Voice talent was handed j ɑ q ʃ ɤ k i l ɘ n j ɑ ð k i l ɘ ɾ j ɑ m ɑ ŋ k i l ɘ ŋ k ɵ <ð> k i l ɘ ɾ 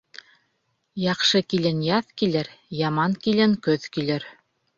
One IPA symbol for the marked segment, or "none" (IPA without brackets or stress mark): ð